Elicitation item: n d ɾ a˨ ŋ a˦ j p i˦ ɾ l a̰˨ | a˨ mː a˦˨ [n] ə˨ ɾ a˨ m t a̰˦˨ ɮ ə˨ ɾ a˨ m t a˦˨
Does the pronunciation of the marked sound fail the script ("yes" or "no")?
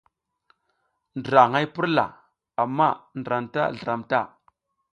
no